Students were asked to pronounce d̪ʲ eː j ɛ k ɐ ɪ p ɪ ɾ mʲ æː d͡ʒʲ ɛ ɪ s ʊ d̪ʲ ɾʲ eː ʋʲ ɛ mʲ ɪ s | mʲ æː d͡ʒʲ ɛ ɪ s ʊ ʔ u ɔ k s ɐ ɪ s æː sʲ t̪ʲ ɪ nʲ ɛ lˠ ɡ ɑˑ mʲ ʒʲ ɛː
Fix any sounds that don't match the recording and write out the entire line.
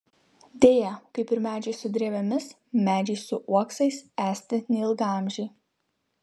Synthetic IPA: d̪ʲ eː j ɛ k ɐ ɪ p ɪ ɾ mʲ æː d͡ʒʲ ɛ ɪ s ʊ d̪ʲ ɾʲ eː ʋʲ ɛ mʲ ɪ s | mʲ æː d͡ʒʲ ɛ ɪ s ʊ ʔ u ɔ k s ɐ ɪ s æː sʲ t̪ʲ ɪ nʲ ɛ lˠ ɡ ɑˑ mʲ ʒʲ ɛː

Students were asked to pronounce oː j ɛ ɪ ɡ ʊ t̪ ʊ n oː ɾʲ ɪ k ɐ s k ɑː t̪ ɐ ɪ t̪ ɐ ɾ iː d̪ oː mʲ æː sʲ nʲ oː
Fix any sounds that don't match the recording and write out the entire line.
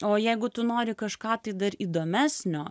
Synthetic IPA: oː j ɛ ɪ ɡ ʊ t̪ ʊ n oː ɾʲ ɪ k ɐ ʃ k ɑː t̪ ɐ ɪ d̪ ɐ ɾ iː d̪ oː mʲ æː sʲ nʲ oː

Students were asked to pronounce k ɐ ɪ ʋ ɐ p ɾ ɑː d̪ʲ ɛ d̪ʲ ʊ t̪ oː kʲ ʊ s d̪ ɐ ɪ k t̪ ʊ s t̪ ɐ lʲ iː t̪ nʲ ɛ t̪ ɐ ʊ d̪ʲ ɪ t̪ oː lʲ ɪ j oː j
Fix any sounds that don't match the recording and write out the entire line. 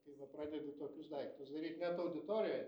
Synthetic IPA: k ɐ ɪ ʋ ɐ p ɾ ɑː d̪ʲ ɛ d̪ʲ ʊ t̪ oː kʲ ʊ s d̪ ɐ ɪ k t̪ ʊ s d̪ ɐ ɾʲ iː t̪ nʲ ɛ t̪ ɐ ʊ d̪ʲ ɪ t̪ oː ɾʲ ɪ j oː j

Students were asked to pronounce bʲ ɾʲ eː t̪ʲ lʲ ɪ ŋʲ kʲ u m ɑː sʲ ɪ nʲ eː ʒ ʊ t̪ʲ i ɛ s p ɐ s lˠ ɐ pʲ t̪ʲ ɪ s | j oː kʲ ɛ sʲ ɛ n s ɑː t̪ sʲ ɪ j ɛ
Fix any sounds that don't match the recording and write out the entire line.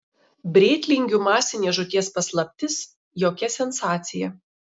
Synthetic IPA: bʲ ɾʲ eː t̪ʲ lʲ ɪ ŋʲ ɡʲ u m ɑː sʲ ɪ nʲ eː ʒ ʊ t̪ʲ i ɛ s p ɐ s lˠ ɐ pʲ t̪ʲ ɪ s | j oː kʲ ɛ sʲ ɛ n s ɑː t̪ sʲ ɪ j ɛ

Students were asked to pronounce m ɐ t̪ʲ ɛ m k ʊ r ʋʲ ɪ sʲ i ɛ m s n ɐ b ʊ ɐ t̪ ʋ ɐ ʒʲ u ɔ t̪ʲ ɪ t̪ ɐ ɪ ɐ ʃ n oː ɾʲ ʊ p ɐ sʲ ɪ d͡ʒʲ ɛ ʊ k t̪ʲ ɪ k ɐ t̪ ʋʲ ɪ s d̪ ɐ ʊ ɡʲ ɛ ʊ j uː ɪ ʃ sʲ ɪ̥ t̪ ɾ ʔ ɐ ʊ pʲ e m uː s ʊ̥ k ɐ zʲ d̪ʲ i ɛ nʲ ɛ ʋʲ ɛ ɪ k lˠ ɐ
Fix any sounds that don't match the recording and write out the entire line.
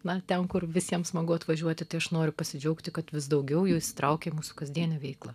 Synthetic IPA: n ɐ t̪ʲ ɛ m k ʊ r ʋʲ ɪ sʲ i ɛ m s m ɐ ɡ ʊ ɐ t̪ ʋ ɐ ʒʲ u ɔ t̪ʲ ɪ t̪ ɐ ɪ ɐ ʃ n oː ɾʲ ʊ p ɐ sʲ ɪ d͡ʒʲ ɛ ʊ k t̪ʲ ɪ k ɐ t̪ ʋʲ ɪ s d̪ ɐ ʊ ɡʲ ɛ ʊ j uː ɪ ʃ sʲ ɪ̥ t̪ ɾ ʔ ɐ ʊ kʲ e m uː s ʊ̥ k ɐ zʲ d̪ʲ i ɛ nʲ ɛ ʋʲ ɛ ɪ k lˠ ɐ

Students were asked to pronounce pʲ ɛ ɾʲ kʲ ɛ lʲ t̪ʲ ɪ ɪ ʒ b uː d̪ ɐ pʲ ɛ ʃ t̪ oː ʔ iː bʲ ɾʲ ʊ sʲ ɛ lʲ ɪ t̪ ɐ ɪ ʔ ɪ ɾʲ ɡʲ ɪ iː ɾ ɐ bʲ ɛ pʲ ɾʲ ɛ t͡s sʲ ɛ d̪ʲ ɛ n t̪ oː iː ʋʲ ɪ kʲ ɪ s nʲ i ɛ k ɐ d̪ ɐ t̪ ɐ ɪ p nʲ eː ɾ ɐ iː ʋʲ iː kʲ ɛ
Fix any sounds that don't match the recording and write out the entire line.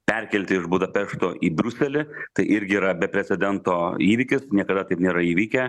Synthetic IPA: pʲ ɛ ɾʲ kʲ ɛ lʲ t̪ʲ ɪ ɪ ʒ b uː d̪ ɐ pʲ ɛ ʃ t̪ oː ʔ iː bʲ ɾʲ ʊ sʲ ɛ lʲ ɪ t̪ ɐ ɪ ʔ ɪ ɾʲ ɡʲ ɪ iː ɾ ɐ bʲ ɛ pʲ ɾʲ ɛ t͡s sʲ ɛ d̪ʲ ɛ n t̪ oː iː ʋʲ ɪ kʲ ɪ s nʲ i ɛ k ɐ d̪ ɐ t̪ ɐ ɪ p nʲ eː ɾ ɐ iː ʋʲ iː kʲ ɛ

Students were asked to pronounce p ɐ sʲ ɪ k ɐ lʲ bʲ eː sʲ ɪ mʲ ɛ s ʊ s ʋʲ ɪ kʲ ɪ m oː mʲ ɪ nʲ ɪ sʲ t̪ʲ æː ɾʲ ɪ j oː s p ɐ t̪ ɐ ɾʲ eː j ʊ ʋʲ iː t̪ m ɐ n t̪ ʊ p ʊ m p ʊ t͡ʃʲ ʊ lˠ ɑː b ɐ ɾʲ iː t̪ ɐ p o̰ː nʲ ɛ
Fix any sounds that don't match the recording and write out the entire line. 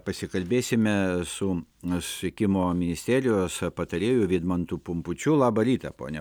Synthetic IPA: p ɐ sʲ ɪ k ɐ lʲ bʲ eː sʲ ɪ mʲ ɛ s ʊ s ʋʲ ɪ kʲ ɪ m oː mʲ ɪ nʲ ɪ sʲ t̪ʲ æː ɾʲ ɪ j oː s p ɐ t̪ ɐ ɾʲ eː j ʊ ʋʲ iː d̪ m ɐ n t̪ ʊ p ʊ m p ʊ t͡ʃʲ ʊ lˠ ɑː b ɐ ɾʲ iː t̪ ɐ p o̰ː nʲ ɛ

